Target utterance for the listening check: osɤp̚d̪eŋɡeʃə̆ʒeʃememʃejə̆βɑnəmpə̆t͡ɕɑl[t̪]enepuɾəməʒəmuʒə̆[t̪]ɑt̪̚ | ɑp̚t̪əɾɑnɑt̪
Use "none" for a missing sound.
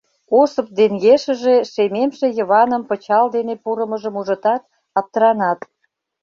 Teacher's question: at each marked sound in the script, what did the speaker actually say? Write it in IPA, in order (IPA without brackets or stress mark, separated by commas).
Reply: d̪, t̪